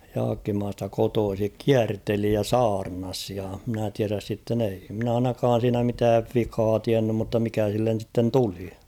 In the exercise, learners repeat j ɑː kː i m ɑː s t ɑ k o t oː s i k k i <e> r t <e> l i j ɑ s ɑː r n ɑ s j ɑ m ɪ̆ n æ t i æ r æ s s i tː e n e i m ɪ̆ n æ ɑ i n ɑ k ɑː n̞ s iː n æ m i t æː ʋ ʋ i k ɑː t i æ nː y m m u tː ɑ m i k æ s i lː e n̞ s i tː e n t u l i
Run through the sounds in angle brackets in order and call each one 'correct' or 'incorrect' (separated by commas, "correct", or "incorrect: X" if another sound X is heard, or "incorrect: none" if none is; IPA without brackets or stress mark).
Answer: incorrect: æ, correct